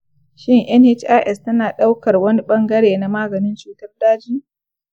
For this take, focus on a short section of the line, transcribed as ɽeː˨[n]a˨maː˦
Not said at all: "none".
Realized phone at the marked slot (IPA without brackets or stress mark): n